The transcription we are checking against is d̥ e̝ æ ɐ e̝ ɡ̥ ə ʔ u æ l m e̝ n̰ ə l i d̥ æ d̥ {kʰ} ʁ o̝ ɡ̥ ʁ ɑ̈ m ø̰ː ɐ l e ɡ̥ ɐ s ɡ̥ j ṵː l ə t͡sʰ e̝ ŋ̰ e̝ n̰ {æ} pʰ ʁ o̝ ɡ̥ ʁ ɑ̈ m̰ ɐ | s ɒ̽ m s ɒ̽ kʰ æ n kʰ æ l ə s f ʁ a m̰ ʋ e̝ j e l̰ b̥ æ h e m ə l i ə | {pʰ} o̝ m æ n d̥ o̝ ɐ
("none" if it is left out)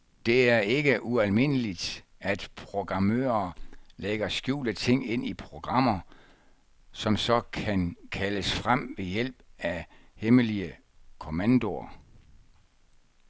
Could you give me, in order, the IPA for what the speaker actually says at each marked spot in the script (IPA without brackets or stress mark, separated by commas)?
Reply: pʰ, i, kʰ